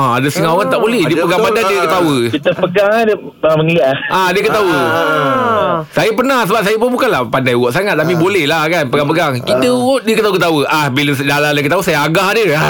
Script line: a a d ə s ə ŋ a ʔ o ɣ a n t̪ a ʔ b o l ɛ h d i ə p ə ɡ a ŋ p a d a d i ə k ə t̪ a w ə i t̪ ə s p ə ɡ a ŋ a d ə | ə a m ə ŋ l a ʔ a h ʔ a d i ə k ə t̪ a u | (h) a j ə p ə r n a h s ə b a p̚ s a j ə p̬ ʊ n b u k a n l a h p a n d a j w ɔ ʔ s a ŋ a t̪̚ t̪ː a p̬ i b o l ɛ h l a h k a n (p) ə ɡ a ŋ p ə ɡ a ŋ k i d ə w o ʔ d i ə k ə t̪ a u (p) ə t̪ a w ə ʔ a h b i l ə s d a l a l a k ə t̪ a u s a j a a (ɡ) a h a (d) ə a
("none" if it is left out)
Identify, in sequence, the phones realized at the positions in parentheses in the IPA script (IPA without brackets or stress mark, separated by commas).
s, p, k, ɡ, d